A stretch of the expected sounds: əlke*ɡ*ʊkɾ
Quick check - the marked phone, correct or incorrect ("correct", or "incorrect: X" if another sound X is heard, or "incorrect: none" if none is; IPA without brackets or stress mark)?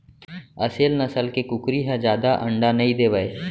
incorrect: k